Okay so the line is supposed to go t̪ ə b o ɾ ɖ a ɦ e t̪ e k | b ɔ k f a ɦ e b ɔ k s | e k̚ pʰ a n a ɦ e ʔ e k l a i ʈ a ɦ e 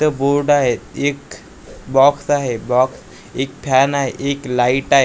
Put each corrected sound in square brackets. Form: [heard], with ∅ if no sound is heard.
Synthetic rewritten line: t̪ ə b o ɾ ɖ a ɦ e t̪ e k | b ɔ k [s] a ɦ e b ɔ k s | e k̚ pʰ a n a ɦ e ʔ e k l a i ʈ a ɦ e